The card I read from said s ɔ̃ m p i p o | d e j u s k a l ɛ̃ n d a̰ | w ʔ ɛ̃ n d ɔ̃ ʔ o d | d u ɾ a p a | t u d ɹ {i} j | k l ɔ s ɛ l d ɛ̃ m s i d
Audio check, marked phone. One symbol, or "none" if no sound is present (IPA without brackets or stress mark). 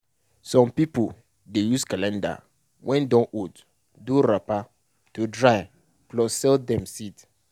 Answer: a